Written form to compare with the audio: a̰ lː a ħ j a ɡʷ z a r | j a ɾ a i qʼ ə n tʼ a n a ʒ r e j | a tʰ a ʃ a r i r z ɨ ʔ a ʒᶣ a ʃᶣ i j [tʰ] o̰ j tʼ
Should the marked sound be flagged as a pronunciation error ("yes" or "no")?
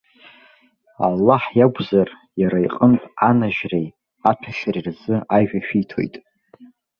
no